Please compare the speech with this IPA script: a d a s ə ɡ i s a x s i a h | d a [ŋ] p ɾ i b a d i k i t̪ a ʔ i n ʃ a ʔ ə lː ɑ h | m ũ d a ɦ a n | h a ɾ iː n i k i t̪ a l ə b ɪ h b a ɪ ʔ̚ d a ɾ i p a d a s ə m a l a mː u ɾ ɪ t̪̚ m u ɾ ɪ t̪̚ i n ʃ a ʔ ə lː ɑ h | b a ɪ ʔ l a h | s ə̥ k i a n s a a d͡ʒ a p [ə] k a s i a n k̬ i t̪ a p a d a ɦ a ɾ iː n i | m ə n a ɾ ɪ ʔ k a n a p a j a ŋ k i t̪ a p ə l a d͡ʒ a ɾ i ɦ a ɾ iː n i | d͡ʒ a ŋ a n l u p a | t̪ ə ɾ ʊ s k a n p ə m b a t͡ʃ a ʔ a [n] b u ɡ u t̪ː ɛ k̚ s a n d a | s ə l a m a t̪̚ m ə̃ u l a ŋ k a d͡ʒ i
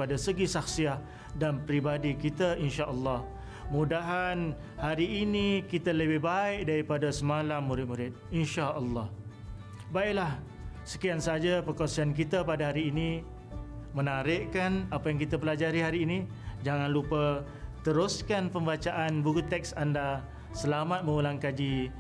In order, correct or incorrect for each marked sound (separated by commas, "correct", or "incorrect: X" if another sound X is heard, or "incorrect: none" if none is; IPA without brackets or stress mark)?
incorrect: n, correct, correct